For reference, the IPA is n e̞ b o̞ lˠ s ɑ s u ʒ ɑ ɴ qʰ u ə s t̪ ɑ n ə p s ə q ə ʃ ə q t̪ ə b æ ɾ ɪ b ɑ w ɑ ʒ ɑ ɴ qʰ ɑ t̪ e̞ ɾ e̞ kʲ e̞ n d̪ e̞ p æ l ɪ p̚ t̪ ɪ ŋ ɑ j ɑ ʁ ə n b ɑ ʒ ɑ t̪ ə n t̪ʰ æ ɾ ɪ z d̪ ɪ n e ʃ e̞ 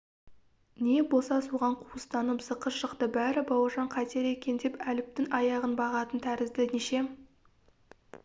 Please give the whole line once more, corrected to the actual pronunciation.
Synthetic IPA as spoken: n e̞ b o̞ lˠ s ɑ s u ʁ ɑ ɴ qʰ u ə s t̪ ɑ n ə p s ə q ə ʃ ə q t̪ ə b æ ɾ ɪ b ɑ w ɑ ʒ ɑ ɴ qʰ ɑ t̪ e̞ ɾ e̞ kʲ e̞ n d̪ e̞ p æ l ɪ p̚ t̪ ɪ ŋ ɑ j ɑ ʁ ə n b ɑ ʁ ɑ t̪ ə n t̪ʰ æ ɾ ɪ z d̪ ɪ n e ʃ e̞